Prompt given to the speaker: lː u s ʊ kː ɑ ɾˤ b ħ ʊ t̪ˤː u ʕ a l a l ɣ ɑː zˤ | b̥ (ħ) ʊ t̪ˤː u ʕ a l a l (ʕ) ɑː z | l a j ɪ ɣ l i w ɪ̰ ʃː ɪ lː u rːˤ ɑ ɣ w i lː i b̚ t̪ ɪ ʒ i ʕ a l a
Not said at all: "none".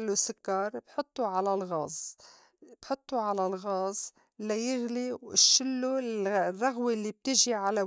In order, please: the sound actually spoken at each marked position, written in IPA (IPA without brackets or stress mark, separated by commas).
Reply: ħ, ɣ